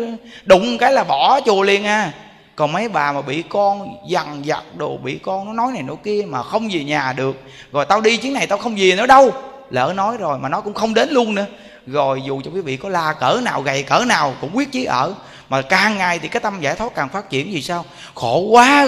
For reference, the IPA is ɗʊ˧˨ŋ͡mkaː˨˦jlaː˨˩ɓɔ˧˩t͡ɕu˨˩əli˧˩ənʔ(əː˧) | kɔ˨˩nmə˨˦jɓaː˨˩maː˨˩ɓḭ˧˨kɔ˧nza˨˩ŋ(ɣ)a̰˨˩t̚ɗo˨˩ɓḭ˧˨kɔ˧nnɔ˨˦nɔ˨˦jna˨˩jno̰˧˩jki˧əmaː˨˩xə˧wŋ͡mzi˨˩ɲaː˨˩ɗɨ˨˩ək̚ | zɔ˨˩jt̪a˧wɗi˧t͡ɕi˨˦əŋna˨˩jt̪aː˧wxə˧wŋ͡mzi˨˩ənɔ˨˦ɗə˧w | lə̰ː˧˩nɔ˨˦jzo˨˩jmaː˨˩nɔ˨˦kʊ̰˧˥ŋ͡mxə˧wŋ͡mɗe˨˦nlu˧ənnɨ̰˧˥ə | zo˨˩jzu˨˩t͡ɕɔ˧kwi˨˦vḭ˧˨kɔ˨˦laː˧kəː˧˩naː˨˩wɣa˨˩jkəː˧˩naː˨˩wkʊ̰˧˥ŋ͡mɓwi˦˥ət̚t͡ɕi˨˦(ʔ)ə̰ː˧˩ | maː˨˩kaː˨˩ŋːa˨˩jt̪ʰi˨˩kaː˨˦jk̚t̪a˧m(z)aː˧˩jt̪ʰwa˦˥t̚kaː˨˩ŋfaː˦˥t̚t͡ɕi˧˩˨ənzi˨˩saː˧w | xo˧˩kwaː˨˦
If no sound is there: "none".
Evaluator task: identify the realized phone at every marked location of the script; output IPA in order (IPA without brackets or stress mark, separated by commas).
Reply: aː˧, z, ʔ, z